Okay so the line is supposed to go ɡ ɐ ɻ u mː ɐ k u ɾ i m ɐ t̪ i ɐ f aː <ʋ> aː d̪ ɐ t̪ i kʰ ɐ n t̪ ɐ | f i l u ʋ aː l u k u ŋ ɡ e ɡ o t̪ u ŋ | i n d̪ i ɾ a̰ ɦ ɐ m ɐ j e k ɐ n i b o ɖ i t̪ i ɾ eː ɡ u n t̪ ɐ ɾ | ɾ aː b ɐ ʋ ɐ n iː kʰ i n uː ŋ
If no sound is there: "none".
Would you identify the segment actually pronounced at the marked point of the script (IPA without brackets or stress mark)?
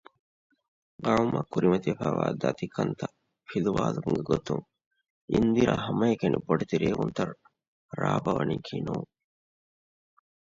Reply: ʋ